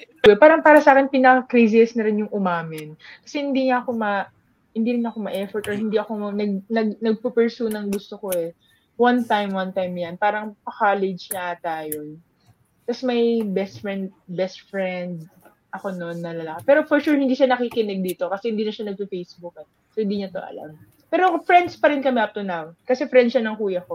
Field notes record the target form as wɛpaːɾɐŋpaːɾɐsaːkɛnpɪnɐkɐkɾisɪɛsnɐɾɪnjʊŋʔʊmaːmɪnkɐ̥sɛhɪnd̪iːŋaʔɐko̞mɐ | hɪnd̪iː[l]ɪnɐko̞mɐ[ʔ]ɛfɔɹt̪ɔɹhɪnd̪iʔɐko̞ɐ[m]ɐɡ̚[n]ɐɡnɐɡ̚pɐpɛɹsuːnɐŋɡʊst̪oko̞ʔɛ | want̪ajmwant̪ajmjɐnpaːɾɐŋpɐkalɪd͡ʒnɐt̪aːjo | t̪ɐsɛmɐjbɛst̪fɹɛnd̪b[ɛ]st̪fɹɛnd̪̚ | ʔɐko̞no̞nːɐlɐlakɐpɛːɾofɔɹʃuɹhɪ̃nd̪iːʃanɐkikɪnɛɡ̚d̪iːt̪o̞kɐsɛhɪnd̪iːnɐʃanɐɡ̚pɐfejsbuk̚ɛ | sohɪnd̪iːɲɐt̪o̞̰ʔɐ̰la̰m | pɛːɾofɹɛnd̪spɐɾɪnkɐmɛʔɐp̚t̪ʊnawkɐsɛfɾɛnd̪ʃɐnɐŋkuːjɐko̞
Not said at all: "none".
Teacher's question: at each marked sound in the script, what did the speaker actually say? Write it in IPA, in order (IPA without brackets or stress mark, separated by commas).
ɾ, ʔ, n, n, ɛ